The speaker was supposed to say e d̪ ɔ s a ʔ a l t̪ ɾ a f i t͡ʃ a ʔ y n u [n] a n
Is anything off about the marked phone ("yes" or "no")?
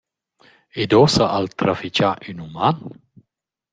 yes